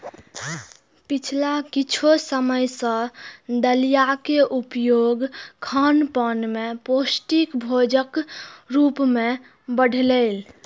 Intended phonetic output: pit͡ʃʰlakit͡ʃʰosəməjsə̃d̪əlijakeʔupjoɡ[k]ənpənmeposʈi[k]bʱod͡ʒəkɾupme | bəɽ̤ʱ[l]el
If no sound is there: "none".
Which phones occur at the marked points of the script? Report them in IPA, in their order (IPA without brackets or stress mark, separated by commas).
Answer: kʰ, k, l